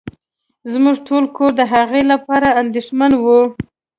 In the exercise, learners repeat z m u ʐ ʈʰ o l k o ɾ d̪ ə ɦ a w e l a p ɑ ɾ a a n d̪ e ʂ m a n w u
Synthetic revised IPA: z m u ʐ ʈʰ o l k o ɾ d̪ ə ɦ a ɣ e l a p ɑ ɾ a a n d̪ e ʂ m a n w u